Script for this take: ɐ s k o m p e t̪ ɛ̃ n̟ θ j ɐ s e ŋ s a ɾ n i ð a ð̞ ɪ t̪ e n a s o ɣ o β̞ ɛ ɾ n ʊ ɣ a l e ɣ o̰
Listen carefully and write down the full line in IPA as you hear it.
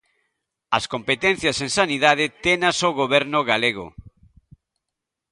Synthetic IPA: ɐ s k o m p e t̪ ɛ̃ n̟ θ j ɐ s e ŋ s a n i ð a ð̞ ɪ t̪ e n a s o ɣ o β̞ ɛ ɾ n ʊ ɣ a l e ɣ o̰